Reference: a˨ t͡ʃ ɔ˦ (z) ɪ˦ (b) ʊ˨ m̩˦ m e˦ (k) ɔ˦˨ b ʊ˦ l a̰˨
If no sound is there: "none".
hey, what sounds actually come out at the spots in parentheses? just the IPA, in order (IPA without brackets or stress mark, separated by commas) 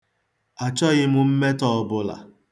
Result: ɣ, m, t